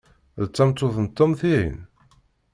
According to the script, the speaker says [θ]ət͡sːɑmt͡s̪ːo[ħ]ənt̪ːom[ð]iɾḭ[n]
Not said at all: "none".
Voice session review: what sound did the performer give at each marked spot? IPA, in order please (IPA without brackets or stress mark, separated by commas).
ð, θ, θ, n